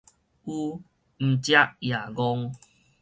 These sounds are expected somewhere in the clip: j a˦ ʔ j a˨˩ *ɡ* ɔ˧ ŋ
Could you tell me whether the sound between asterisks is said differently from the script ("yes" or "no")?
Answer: no